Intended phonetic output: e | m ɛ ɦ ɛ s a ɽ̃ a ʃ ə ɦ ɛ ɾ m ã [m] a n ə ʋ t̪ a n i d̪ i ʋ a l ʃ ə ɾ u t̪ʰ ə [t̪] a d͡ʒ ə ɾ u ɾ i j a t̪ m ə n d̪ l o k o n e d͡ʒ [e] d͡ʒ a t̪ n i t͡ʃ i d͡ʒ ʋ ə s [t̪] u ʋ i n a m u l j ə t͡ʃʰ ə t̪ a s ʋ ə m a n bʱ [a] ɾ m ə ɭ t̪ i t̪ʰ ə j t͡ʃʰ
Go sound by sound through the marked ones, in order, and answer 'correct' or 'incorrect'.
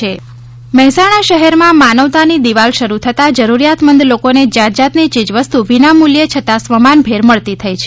correct, correct, incorrect: a, correct, incorrect: e

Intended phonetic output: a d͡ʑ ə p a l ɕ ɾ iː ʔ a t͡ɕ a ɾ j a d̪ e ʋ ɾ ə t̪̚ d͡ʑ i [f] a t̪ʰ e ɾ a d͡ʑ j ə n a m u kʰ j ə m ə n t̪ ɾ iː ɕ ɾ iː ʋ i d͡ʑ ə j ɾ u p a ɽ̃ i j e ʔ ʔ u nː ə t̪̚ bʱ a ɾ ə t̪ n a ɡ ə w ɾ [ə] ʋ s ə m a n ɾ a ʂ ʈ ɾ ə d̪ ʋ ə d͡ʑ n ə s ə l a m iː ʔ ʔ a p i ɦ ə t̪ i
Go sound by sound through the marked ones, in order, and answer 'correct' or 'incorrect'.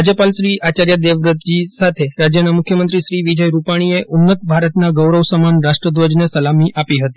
incorrect: s, correct

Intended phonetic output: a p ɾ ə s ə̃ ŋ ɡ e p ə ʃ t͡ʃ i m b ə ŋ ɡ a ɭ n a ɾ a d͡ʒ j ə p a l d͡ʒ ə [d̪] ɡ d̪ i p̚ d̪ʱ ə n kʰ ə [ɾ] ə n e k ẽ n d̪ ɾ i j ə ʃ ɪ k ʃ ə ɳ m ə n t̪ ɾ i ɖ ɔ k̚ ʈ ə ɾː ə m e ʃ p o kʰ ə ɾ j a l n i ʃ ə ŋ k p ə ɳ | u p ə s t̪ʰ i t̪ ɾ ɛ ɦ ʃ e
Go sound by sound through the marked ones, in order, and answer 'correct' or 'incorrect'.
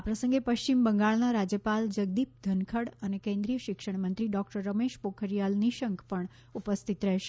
incorrect: none, incorrect: ɽ

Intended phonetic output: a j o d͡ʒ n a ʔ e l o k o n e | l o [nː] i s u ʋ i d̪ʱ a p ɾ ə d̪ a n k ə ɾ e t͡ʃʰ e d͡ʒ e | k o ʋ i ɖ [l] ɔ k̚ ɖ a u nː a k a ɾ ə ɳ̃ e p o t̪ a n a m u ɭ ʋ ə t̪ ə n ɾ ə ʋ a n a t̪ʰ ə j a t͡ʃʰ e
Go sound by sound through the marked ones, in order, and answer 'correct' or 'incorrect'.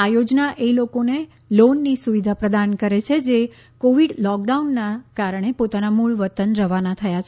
correct, correct

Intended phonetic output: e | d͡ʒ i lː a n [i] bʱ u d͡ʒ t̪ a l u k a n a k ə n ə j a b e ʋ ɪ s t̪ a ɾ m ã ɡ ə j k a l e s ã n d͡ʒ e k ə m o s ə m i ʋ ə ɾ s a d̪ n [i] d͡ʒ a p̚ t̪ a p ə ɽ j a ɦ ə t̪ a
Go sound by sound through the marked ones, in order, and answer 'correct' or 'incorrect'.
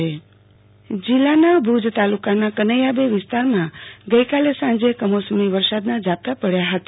incorrect: a, incorrect: a

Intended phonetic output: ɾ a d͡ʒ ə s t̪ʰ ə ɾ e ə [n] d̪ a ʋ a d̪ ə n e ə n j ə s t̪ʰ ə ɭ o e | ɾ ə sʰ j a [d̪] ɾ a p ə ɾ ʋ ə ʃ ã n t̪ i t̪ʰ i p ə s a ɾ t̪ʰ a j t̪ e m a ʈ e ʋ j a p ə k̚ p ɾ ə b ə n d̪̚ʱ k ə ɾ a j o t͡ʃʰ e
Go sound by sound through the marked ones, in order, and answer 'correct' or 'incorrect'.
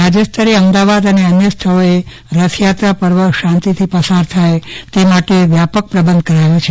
incorrect: m, incorrect: t̪

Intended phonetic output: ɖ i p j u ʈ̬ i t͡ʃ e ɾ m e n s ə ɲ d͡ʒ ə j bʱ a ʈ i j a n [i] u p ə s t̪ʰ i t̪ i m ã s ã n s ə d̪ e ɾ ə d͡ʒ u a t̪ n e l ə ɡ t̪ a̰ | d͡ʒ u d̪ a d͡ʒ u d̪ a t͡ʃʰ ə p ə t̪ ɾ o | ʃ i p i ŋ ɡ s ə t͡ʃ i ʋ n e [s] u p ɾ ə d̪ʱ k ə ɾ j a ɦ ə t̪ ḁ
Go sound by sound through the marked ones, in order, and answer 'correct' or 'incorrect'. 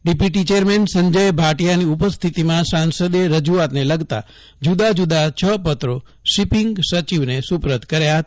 correct, correct

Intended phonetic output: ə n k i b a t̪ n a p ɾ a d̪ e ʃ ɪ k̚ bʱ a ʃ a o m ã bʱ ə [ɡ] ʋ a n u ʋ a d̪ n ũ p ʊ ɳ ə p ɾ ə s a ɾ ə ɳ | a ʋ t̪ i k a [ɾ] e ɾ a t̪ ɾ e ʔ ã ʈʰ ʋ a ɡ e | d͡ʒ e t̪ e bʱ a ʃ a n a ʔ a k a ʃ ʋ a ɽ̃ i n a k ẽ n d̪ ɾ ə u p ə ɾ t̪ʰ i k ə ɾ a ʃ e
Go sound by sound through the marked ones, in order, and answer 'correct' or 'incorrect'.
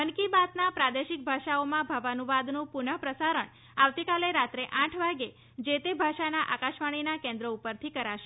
incorrect: none, incorrect: l

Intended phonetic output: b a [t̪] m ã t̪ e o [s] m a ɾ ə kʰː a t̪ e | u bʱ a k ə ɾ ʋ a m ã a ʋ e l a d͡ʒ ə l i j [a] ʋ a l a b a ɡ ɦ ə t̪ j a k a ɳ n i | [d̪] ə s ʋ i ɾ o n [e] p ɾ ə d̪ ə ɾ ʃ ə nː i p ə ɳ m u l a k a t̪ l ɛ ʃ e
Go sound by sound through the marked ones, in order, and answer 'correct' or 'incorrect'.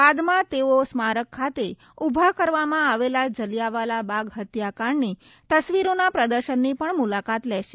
incorrect: d̪, correct, correct, incorrect: t̪, incorrect: a

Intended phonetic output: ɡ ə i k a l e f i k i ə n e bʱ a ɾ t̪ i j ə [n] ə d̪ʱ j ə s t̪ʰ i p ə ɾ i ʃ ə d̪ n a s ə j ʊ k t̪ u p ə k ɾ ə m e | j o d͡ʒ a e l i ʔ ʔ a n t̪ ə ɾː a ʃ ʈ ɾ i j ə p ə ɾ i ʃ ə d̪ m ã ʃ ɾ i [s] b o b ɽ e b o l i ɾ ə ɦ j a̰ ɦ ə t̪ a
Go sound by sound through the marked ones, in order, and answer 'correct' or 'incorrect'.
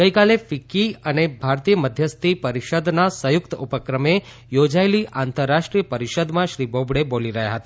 incorrect: m, incorrect: none

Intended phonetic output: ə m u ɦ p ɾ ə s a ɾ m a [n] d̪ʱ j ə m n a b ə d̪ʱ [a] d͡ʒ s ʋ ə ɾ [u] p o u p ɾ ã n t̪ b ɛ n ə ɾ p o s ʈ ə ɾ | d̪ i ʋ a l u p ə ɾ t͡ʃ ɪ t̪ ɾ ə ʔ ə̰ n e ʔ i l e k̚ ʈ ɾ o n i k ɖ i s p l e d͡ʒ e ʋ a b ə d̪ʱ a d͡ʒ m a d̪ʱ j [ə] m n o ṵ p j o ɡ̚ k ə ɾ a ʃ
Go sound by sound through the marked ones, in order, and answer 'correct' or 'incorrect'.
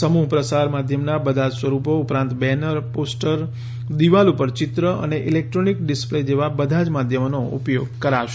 incorrect: none, correct, correct, correct

